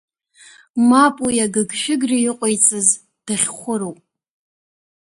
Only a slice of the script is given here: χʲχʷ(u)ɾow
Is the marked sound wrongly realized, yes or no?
yes